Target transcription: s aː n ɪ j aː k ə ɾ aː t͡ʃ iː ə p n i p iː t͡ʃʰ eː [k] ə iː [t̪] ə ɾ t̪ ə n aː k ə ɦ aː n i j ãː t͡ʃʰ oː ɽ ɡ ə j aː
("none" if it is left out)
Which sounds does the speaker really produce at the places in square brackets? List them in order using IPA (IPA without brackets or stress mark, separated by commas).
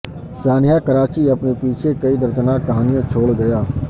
k, d̪